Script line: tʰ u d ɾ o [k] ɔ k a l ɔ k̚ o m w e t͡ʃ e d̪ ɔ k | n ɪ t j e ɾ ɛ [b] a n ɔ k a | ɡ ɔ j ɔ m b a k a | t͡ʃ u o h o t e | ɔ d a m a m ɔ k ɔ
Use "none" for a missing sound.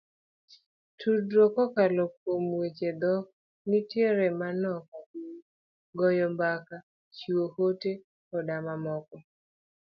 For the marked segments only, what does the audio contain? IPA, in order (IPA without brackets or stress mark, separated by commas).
k, m